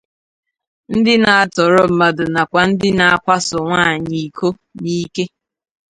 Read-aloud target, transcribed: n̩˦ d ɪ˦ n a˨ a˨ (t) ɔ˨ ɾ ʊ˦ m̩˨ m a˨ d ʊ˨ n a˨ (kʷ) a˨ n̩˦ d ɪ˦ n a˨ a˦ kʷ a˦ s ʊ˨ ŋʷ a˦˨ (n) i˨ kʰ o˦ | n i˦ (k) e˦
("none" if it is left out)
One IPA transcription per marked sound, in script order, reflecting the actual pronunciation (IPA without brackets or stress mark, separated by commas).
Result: t, kʷ, ɲ, k